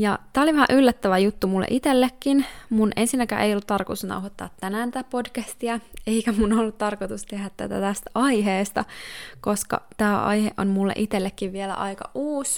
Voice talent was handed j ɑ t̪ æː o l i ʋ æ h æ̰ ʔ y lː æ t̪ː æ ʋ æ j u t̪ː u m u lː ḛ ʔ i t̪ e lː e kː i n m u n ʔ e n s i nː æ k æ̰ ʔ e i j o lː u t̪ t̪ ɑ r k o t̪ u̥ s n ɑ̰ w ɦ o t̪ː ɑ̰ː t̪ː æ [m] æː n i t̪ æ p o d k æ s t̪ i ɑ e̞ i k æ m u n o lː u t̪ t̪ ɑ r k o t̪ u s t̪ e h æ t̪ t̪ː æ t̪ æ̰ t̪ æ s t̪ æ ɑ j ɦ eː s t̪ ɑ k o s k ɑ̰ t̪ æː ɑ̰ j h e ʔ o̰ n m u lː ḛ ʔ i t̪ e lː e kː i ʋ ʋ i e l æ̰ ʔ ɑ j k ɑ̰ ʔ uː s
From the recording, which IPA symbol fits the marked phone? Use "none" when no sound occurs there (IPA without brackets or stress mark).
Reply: n